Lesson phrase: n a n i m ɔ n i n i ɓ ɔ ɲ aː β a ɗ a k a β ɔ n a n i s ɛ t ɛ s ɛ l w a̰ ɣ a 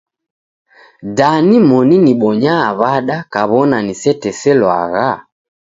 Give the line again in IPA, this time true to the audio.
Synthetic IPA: d a n i m ɔ n i n i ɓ ɔ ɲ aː β a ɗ a k a β ɔ n a n i s ɛ t ɛ s ɛ l w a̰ ɣ a